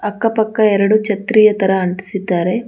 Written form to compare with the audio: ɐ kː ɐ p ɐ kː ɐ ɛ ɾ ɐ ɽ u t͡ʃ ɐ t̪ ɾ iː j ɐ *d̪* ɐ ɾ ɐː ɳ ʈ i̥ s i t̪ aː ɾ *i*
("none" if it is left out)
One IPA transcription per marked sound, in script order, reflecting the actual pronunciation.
t̪, e

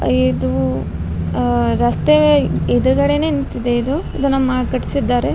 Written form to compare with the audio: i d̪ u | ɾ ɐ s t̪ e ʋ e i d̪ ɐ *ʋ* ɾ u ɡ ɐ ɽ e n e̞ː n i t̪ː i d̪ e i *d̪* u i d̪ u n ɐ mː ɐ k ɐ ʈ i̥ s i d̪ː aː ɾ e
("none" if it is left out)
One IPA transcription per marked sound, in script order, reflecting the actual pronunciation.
none, d̪

